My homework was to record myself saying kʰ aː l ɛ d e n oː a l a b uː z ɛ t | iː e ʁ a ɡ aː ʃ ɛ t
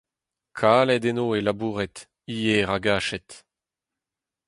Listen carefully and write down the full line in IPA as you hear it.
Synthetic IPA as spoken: kʰ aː l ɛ d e n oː e l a b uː ʁ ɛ t | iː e ʁ a ɡ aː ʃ ɛ t